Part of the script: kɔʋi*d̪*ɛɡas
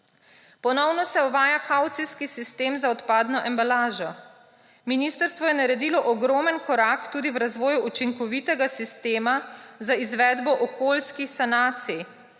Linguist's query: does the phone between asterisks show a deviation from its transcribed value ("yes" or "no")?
yes